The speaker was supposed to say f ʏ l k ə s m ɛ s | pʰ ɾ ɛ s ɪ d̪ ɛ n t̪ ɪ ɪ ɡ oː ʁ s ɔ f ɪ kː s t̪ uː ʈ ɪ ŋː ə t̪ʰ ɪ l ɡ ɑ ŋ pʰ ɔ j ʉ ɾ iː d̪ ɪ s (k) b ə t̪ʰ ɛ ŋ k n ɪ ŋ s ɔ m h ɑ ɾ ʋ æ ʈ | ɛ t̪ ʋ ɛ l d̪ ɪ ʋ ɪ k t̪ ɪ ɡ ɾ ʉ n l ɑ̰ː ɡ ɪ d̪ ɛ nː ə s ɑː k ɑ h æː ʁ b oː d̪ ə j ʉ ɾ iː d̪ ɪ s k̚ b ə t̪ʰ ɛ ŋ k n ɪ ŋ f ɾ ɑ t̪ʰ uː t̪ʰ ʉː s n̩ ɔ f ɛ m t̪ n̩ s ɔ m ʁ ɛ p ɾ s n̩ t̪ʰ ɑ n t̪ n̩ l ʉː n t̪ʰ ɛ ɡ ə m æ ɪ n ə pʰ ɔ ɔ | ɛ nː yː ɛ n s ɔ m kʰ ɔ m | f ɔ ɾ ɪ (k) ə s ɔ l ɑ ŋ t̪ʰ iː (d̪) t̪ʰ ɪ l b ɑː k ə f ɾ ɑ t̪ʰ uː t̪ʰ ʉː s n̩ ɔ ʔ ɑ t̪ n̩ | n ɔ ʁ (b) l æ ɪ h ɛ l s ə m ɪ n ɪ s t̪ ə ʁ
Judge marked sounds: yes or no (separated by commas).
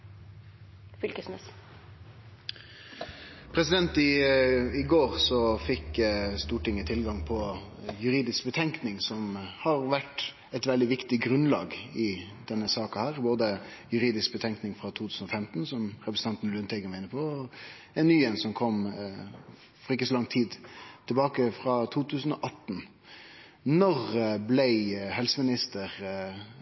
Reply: yes, yes, yes, yes